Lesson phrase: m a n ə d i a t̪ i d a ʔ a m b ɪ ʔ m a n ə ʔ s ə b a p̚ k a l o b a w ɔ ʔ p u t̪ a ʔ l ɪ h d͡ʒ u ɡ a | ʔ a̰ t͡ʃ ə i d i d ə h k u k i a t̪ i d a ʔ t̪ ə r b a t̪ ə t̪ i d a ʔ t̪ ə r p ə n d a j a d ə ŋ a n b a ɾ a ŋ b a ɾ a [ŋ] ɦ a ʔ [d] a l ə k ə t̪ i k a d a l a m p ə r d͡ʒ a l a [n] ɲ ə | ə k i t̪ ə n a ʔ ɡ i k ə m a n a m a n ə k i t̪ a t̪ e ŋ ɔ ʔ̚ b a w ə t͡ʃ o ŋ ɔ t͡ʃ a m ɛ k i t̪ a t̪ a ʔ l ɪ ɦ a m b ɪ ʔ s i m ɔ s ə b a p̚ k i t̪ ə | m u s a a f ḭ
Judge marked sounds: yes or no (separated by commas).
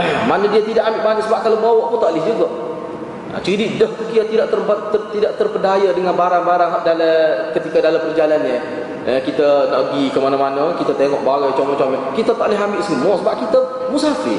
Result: yes, yes, yes